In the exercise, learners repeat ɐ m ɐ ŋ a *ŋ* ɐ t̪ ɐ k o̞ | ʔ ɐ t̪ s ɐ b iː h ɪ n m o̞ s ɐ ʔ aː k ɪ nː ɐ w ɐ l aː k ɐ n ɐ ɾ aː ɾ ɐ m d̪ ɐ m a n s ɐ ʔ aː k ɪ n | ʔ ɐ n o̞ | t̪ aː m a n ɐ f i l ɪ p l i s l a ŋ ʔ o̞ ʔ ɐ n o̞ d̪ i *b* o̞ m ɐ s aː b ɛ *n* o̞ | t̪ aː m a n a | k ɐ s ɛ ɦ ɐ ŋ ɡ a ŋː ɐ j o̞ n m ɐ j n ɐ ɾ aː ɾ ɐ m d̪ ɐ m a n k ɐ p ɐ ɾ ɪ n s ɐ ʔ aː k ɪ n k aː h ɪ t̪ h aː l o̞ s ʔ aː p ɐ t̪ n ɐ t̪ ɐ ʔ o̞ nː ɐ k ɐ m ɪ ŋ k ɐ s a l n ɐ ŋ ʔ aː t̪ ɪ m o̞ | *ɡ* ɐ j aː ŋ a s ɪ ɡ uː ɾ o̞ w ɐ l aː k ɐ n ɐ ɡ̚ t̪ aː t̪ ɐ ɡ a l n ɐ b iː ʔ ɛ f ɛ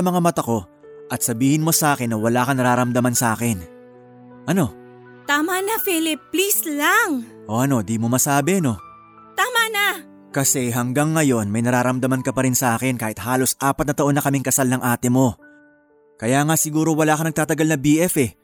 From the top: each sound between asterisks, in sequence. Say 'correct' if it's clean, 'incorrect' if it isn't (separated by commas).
incorrect, incorrect, correct, incorrect